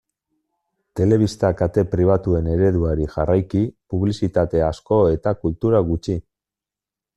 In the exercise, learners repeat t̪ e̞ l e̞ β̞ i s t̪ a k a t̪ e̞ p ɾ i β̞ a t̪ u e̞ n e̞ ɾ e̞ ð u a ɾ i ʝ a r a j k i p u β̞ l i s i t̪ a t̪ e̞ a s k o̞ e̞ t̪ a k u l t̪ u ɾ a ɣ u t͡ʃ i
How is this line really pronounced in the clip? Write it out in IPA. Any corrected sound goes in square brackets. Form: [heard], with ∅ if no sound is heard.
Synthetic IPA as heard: t̪ e̞ l e̞ β̞ i s t̪ a k a t̪ e̞ p ɾ i β̞ a t̪ u e̞ n e̞ ɾ e̞ ð u a ɾ i ʝ a r a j k i p u β̞ l i s i t̪ a t̪ e̞ a s k o̞ e̞ t̪ a k u l t̪ u ɾ a ɣ u t͡ʃ i